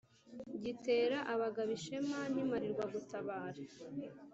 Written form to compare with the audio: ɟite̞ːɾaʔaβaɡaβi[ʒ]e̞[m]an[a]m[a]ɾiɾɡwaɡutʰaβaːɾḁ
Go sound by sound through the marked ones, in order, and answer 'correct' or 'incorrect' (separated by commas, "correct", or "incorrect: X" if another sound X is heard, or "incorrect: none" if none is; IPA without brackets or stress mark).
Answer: incorrect: ʃ, correct, incorrect: i, correct